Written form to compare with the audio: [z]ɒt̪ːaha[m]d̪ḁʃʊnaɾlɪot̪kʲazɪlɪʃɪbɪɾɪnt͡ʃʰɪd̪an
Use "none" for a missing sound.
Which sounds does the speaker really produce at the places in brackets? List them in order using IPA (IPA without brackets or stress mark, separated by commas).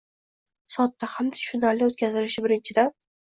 s, m